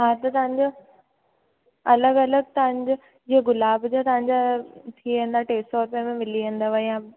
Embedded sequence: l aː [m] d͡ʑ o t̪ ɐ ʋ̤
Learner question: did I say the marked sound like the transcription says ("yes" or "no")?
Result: no